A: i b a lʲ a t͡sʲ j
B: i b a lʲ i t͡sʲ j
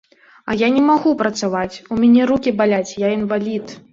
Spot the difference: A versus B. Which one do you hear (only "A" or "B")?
A